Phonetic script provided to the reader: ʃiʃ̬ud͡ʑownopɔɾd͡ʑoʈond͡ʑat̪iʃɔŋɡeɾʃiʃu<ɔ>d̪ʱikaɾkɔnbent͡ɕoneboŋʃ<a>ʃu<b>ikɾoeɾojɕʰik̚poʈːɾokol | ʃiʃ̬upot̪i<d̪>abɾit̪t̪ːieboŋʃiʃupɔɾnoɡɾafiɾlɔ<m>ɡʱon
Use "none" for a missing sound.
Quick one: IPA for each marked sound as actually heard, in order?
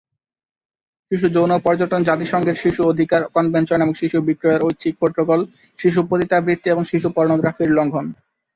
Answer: o, i, b, t̪, ŋ

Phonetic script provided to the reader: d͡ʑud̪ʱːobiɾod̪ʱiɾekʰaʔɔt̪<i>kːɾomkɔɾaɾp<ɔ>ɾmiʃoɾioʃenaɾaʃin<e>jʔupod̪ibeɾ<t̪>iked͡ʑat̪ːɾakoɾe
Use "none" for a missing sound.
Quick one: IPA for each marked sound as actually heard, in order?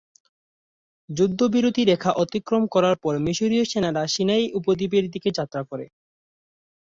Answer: i, ɔ, a, d̪

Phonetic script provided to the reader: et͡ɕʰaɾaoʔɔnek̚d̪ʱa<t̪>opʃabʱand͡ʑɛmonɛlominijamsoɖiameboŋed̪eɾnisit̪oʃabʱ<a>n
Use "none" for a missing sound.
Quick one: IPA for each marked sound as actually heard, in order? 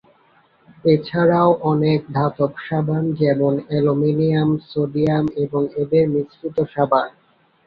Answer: t̪, a

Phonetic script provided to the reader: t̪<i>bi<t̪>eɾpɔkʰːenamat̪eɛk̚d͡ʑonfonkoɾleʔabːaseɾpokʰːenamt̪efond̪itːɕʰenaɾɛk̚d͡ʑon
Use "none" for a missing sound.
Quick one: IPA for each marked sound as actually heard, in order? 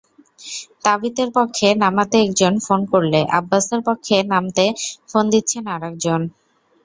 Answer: a, t̪

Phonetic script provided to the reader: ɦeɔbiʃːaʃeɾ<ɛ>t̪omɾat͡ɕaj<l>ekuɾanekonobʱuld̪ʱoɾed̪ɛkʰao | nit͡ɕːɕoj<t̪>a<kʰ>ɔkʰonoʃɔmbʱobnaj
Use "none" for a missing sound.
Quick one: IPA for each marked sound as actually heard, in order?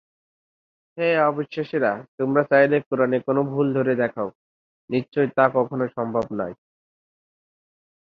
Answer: a, l, t̪, k

